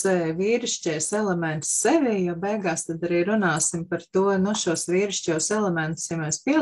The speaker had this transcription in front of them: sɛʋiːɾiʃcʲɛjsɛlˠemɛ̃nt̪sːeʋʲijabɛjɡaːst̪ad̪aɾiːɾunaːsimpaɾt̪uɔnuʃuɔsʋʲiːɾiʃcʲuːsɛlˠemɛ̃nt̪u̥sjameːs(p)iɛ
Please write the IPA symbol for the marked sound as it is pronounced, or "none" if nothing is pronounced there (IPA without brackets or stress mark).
p